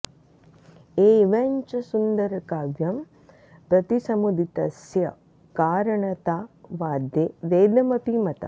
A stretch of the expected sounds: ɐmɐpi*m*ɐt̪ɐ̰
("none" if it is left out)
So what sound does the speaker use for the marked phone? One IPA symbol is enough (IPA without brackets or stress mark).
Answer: m